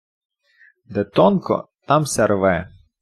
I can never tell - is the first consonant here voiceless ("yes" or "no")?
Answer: no